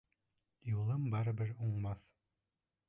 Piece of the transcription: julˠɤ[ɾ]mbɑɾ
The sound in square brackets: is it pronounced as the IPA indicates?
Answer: no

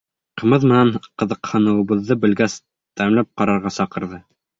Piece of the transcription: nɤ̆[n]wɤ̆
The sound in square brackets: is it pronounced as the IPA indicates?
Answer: no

